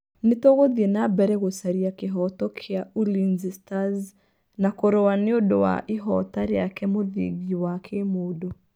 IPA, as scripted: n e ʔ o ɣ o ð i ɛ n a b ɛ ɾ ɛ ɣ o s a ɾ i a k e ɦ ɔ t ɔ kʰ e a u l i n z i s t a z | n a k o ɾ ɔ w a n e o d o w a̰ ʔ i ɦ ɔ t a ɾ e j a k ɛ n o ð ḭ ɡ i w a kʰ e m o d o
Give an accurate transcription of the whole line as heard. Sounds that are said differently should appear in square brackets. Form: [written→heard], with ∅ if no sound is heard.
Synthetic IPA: n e [ʔ→t] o ɣ o ð i ɛ n a b ɛ ɾ ɛ ɣ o s a ɾ i a k e ɦ ɔ t ɔ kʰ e a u l i n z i s t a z | n a k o ɾ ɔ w a n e o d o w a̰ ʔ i ɦ ɔ t a ɾ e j a k ɛ [n→m] o ð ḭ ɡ i w a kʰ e m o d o